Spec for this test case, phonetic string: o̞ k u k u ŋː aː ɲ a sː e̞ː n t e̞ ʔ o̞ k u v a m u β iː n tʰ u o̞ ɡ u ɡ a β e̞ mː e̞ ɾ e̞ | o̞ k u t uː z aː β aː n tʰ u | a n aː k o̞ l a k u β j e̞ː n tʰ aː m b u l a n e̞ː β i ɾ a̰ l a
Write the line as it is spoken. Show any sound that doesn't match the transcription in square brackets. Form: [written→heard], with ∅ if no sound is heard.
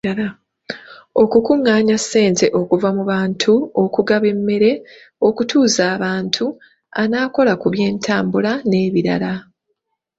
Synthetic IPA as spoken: o̞ k u k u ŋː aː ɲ a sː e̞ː n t e̞ ʔ o̞ k u v a m u β [iː→aː] n tʰ u o̞ [ɡ→k] u ɡ a β e̞ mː e̞ ɾ e̞ | o̞ k u t uː z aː β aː n tʰ u | a n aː k o̞ l a k u β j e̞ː n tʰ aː m b u l a n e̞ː β i ɾ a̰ l a